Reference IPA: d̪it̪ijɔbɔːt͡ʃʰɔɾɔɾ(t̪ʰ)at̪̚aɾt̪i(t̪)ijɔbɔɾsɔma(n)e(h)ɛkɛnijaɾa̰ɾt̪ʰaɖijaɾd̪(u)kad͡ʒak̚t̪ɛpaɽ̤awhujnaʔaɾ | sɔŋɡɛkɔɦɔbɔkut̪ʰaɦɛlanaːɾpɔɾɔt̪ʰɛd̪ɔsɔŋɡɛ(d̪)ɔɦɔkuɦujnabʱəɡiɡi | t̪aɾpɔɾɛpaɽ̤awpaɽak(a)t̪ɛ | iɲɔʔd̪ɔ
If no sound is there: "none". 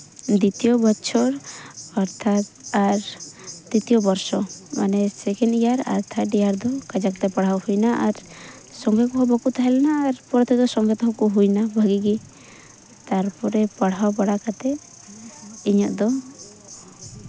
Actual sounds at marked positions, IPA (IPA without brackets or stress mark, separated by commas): t̪ʰ, t̪, n, s, ɔ, t̪, a